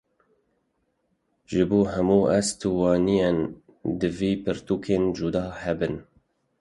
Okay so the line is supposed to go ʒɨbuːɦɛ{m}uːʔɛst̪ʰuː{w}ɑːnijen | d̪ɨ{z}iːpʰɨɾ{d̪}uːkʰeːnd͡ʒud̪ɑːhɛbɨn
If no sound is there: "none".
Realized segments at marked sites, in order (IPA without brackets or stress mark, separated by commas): m, w, v, t̪